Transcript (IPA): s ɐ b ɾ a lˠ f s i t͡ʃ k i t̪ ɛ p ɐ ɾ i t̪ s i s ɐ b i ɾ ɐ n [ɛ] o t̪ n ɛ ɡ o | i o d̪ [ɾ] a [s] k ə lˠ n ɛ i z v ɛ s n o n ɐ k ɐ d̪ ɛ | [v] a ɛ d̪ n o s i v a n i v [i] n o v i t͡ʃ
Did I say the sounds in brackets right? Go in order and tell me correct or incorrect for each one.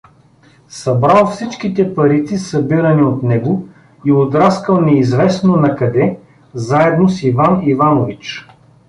incorrect: i, correct, correct, incorrect: z, incorrect: a

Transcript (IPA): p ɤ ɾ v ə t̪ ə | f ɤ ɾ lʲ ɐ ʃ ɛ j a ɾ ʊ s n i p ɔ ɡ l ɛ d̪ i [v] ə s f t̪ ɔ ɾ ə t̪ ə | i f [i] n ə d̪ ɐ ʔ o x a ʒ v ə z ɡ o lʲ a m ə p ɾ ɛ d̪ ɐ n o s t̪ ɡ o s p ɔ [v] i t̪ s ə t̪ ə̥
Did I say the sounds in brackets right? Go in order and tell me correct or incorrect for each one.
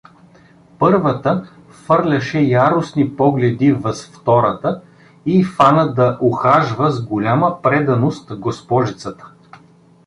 correct, incorrect: a, incorrect: ʒ

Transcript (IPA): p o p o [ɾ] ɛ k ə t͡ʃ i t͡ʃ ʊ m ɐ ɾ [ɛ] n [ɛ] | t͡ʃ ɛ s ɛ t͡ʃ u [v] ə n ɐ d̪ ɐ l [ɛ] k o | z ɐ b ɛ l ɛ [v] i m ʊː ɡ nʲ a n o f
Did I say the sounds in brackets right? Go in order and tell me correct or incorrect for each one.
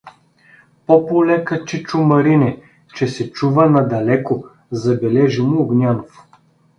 incorrect: l, incorrect: i, correct, correct, correct, incorrect: ʒ

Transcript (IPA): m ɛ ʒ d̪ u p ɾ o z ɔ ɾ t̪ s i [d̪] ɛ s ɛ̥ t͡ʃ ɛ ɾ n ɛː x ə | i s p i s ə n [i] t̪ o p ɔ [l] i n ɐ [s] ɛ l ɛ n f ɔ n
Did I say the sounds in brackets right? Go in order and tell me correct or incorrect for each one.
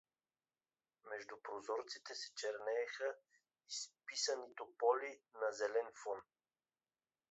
incorrect: t̪, correct, correct, incorrect: z

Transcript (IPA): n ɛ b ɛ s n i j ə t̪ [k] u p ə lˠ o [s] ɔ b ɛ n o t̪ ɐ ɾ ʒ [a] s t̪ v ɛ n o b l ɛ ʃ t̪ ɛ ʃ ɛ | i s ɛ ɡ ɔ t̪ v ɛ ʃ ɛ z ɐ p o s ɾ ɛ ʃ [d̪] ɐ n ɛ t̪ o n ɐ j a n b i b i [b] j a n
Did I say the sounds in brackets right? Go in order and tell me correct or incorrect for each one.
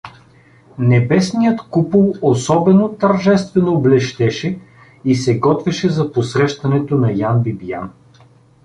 correct, correct, incorrect: ɛ, incorrect: t̪, incorrect: none

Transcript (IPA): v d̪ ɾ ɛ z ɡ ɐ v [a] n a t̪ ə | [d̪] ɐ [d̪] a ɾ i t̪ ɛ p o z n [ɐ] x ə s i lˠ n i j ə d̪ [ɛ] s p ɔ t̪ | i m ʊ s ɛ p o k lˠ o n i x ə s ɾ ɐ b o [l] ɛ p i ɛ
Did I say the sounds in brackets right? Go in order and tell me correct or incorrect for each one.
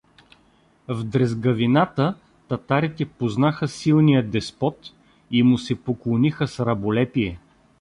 incorrect: i, incorrect: t̪, incorrect: t̪, incorrect: a, correct, correct

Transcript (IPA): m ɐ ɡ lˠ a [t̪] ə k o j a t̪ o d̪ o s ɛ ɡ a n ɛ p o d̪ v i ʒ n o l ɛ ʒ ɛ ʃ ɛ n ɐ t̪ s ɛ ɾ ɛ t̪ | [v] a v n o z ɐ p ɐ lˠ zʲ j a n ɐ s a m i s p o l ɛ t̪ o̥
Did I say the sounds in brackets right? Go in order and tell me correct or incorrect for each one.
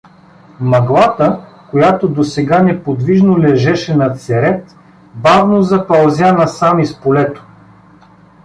correct, incorrect: b

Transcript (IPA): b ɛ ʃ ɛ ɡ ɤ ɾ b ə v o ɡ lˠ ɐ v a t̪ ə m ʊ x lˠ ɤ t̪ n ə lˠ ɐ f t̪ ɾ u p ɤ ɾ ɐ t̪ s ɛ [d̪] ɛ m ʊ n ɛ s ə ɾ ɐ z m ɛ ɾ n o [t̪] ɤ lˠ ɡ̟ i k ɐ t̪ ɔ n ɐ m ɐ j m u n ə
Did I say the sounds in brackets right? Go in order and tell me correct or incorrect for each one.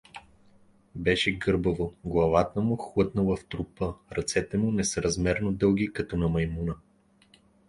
incorrect: t̪, incorrect: d̪

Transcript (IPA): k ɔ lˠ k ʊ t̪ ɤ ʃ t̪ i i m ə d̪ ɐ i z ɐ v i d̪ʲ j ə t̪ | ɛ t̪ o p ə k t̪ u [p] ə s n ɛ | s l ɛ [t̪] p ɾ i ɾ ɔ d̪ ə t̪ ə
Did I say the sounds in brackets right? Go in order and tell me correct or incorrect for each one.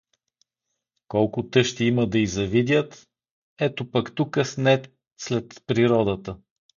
incorrect: k, correct

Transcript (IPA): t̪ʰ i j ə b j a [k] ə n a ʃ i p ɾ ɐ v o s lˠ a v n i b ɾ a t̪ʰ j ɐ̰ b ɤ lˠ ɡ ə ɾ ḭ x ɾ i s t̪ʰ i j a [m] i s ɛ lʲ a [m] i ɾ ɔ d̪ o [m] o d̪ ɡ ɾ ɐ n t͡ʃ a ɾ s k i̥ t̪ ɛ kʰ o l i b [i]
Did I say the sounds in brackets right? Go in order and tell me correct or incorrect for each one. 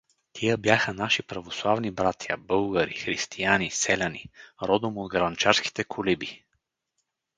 incorrect: x, incorrect: n, incorrect: n, correct, correct

